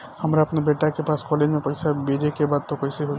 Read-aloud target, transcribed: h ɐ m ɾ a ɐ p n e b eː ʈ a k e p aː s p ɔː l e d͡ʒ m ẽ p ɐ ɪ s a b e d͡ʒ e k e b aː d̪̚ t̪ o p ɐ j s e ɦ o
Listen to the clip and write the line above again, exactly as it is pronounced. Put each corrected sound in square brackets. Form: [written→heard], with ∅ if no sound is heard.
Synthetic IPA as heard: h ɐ m ɾ a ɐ p n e b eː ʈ a k e p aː s [p→k] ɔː l e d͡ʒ m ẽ p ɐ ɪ s a b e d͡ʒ e k e b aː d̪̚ t̪ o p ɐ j s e ɦ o

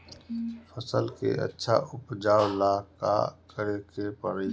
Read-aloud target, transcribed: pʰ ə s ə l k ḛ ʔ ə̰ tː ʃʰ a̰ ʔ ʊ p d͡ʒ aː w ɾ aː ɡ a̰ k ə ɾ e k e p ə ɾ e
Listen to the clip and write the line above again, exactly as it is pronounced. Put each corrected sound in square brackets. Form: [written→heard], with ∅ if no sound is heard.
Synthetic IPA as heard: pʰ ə s ə l k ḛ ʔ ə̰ tː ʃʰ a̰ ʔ ʊ p d͡ʒ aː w [ɾ→l] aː [ɡ→k] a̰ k ə ɾ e k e p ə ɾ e

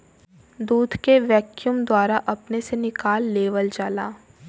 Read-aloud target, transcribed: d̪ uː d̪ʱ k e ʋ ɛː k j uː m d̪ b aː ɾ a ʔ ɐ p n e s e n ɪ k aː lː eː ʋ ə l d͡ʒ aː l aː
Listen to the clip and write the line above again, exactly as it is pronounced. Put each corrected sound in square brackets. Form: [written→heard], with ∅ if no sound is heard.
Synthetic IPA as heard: d̪ uː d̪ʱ k e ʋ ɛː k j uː m d̪ [b→w] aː ɾ a ʔ ɐ p n e s e n ɪ k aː lː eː ʋ ə l d͡ʒ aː l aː

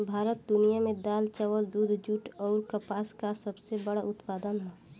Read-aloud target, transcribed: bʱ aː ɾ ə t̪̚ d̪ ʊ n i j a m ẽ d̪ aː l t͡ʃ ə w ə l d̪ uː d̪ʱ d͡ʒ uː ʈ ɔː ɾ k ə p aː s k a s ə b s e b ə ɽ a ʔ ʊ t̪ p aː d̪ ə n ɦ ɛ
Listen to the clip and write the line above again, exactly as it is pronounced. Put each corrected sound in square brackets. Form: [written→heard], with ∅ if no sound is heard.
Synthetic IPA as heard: bʱ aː ɾ ə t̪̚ d̪ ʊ n i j a m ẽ d̪ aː l t͡ʃ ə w ə l d̪ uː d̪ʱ d͡ʒ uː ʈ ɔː ɾ k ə p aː s k a s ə b s e b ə ɽ a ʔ ʊ t̪ p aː d̪ ə n ɦ ɛ

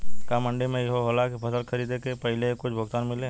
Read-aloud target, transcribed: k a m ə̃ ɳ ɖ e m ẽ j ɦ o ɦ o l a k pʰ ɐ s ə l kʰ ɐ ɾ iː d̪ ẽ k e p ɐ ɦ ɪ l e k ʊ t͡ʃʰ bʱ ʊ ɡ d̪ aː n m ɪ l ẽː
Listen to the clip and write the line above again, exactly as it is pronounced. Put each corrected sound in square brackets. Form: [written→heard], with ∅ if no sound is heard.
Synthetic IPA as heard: k a m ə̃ ɳ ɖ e m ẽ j ɦ o ɦ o l a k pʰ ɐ s ə l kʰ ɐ ɾ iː d̪ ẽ k e p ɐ ɦ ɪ l e k ʊ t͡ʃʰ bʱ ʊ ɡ [d̪→t̪] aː n m ɪ l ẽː

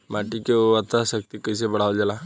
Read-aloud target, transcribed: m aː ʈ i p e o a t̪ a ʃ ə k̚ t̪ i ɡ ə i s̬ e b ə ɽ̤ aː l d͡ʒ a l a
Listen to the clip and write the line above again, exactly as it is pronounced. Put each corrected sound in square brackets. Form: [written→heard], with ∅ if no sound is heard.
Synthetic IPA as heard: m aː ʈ i [p→k] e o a t̪ a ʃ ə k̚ t̪ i [ɡ→k] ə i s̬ e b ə ɽ̤ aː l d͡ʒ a l a

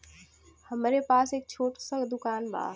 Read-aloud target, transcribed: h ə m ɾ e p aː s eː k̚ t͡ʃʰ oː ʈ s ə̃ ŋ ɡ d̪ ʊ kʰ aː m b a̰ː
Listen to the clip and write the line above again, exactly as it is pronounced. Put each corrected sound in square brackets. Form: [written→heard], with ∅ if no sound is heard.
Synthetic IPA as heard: h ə m ɾ e p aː s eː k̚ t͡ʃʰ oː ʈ s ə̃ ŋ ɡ d̪ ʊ [kʰ→k] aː [m→n] b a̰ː

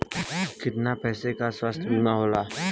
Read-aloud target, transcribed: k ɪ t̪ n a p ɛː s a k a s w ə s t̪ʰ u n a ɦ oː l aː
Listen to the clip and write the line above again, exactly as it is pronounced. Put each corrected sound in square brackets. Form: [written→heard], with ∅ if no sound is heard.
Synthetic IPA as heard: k ɪ t̪ n a p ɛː s [a→e] k a s w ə s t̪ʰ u n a ɦ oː l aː

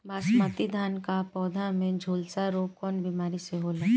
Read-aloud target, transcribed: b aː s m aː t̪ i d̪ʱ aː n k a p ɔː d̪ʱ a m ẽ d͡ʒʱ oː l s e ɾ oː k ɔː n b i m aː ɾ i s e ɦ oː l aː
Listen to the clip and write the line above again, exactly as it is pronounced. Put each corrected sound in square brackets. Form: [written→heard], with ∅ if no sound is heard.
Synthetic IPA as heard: b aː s m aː t̪ i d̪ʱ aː n k a p ɔː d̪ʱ a m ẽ d͡ʒʱ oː l s [e→a] ɾ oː k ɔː n b i m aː ɾ i s e ɦ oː l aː

